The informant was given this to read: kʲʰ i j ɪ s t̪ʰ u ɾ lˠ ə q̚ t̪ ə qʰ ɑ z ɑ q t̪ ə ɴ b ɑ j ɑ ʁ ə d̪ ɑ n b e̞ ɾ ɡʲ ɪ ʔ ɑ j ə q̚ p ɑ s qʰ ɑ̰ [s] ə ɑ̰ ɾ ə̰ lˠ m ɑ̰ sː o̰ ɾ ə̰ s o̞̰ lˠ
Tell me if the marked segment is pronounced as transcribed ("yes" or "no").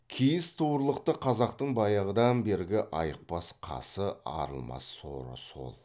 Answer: yes